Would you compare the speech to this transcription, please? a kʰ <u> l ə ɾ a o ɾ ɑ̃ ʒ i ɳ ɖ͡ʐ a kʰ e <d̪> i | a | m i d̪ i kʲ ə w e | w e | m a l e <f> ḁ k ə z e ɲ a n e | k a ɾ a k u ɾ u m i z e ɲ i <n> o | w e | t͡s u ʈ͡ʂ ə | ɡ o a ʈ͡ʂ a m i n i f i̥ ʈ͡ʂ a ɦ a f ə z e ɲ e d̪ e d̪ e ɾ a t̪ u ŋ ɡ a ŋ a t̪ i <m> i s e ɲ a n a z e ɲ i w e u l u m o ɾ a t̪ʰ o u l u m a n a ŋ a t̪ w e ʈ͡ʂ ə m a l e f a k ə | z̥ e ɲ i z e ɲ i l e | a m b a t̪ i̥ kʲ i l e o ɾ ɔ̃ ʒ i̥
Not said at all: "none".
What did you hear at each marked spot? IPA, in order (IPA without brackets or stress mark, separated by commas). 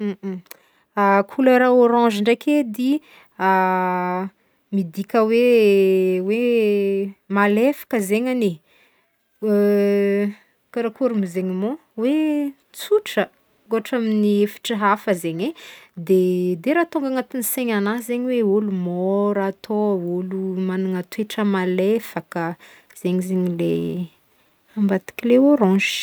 u, d̪, f, m, n